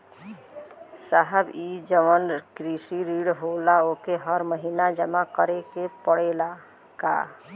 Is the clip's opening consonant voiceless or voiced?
voiceless